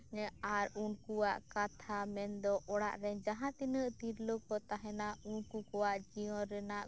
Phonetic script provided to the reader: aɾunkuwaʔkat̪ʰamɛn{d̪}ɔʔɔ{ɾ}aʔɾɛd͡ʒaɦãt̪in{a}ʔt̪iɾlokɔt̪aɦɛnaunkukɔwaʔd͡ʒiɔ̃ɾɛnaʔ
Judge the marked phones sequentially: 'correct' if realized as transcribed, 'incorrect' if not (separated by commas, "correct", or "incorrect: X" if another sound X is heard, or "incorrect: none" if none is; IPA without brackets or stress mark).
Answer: correct, incorrect: ɽ, incorrect: ə